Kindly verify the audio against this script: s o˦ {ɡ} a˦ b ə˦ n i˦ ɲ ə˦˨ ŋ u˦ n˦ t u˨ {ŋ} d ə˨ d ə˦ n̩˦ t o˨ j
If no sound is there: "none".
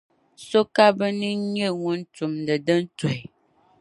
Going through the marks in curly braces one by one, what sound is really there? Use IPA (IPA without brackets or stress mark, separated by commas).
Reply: k, m